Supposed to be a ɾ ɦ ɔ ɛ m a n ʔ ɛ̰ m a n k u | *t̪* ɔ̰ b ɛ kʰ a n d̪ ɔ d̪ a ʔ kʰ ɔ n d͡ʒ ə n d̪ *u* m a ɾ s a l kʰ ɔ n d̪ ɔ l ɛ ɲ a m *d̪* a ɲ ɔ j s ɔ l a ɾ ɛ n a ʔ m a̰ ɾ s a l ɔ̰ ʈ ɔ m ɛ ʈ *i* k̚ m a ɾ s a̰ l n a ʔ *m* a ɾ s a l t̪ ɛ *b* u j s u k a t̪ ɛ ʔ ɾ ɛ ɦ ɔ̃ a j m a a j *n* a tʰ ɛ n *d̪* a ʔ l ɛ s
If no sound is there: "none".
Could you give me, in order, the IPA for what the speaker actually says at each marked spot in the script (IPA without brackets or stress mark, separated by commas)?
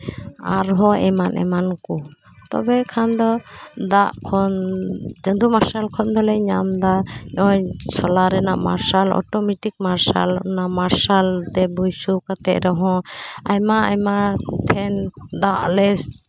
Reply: t̪, u, d̪, i, m, b, m, d̪